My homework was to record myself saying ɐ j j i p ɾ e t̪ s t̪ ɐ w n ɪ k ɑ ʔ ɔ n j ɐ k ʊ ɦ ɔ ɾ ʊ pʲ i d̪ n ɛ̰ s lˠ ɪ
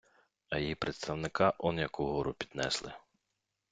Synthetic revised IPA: ɐ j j i p ɾ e t̪ s t̪ ɐ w n ɪ k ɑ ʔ ɔ n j ɐ k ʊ ɦ ɔ ɾ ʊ pʲ i d̪ n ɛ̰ s lˠ ɪ